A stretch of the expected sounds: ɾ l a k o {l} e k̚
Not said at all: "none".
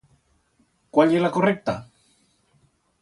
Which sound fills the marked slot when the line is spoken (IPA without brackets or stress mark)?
r